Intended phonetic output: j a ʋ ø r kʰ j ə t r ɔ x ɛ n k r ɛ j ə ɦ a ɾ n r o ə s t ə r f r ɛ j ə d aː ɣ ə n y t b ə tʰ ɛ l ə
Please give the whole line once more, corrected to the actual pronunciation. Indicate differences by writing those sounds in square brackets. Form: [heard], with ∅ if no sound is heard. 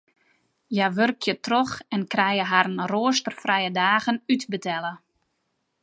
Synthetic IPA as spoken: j a ʋ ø r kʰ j ə t r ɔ x ɛ n k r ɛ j ə ɦ a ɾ n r o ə s t ə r f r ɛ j ə d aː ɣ ə n y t b ə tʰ ɛ l ə